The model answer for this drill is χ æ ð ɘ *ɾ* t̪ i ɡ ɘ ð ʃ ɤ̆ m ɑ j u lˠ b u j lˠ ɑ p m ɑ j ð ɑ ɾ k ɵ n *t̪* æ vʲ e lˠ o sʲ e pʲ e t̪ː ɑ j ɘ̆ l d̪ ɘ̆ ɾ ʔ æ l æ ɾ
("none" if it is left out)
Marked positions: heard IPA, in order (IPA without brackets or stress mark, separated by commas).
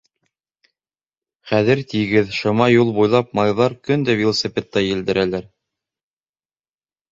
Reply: ɾ, d̪